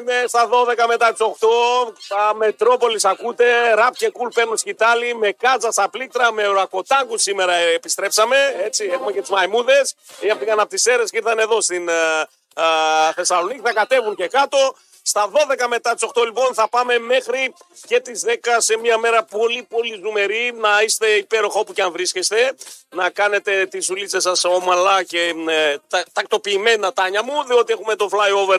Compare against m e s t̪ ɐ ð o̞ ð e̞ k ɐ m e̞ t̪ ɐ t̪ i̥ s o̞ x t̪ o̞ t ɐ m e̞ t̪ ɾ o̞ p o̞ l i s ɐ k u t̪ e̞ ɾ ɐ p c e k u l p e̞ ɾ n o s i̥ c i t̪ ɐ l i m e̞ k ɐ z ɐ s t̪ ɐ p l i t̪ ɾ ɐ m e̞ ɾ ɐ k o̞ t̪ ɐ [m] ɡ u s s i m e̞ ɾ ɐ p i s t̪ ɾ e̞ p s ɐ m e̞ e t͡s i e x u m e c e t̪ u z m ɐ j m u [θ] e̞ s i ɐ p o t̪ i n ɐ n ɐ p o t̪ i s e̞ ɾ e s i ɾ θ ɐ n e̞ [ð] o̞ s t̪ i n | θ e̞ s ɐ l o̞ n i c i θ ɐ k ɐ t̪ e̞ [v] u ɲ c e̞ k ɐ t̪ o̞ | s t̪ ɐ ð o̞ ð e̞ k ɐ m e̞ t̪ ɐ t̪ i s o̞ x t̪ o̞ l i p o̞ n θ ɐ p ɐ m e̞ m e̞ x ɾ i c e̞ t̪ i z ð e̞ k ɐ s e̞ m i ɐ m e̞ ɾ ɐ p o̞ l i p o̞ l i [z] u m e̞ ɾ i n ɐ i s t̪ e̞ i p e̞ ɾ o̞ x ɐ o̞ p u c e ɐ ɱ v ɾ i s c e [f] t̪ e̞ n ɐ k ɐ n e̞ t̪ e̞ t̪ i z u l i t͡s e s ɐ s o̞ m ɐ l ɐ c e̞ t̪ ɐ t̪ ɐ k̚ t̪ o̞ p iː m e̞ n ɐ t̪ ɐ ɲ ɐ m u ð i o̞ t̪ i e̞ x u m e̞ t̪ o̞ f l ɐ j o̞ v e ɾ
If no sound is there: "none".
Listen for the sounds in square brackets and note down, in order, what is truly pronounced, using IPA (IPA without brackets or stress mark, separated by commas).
ŋ, ð, ð, v, z, s